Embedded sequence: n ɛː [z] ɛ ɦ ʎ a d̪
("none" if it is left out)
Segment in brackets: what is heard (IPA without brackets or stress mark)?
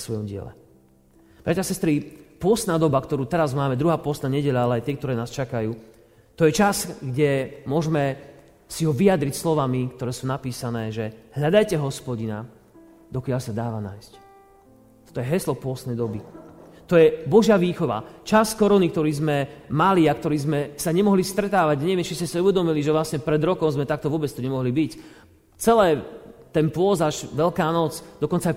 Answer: ʒ